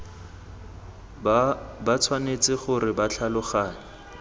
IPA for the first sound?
b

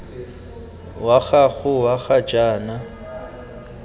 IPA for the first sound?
w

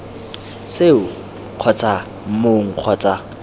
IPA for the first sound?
s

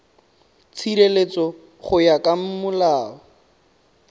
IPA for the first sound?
t͡sʰ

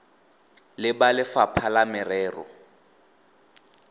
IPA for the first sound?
l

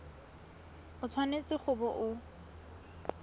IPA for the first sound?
ʊ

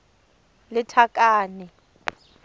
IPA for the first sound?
l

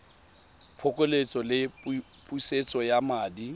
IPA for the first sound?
pʰ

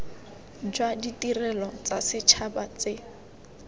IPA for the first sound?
d͡ʒ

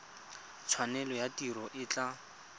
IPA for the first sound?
t͡sʰ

